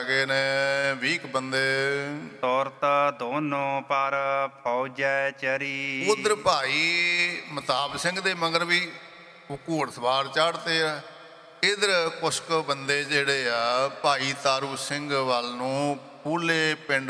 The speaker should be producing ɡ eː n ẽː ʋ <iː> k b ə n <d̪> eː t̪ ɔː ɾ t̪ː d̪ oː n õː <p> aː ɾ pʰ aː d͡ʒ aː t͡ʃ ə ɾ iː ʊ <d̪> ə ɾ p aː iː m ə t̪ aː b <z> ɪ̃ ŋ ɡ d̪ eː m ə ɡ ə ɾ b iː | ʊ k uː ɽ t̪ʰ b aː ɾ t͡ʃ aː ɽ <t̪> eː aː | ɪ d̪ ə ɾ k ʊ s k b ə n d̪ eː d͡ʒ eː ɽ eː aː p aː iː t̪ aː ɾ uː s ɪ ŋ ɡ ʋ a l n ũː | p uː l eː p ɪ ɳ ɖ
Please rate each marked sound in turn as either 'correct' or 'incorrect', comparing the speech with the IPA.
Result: correct, correct, correct, correct, incorrect, correct

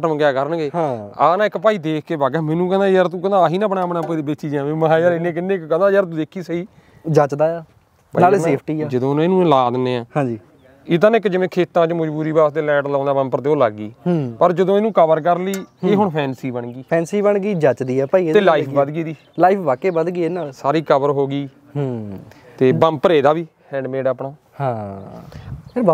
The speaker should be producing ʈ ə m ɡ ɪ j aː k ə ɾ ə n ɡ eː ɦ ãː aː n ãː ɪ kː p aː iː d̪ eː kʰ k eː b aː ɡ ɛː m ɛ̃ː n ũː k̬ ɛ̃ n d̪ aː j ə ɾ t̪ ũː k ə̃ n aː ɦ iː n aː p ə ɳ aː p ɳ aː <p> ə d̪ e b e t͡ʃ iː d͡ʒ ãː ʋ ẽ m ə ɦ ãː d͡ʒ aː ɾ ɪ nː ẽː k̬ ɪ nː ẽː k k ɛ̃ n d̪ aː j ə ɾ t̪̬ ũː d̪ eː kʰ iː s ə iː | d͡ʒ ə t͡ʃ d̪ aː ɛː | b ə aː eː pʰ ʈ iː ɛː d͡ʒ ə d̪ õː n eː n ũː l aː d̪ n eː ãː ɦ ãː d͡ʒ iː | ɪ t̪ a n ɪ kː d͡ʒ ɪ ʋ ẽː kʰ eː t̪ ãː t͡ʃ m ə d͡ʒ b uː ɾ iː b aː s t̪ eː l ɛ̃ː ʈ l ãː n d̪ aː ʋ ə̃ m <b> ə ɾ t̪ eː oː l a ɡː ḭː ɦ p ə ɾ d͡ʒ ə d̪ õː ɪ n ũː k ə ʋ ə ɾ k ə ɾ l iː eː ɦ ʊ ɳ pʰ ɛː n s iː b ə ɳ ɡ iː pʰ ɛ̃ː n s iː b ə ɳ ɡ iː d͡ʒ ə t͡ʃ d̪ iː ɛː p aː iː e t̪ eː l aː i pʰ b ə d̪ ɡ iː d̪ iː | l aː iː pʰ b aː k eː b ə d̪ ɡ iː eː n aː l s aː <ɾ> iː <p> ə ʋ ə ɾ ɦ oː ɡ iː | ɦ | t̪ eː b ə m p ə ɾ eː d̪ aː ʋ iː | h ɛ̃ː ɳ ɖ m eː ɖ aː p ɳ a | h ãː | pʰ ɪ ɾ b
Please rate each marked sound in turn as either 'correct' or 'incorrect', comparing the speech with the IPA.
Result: correct, incorrect, correct, incorrect

